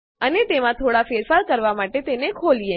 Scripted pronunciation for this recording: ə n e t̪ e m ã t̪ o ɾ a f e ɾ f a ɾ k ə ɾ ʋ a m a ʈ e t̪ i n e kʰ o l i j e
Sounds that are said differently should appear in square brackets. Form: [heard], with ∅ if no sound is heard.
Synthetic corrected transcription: ə n e t̪ e m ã [t̪ʰ] o [ɽ] a f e ɾ f a ɾ k ə ɾ ʋ a m a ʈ e t̪ [e] n e kʰ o l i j e